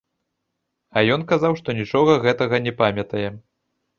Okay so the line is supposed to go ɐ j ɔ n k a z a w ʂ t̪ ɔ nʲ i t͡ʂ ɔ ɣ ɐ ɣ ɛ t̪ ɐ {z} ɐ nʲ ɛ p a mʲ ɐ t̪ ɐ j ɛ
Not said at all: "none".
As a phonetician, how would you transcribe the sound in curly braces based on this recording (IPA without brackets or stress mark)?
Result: ɣ